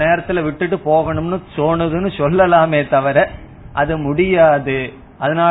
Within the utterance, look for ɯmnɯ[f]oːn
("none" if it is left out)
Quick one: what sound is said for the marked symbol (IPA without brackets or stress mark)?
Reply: s